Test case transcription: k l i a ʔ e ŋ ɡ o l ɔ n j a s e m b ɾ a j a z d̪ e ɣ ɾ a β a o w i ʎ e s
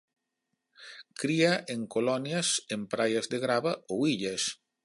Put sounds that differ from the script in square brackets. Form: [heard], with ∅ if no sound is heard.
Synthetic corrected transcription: k [ɾ] i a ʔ e ŋ [k] o l ɔ n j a s e m [p] ɾ a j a z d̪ e ɣ ɾ a β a o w i ʎ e s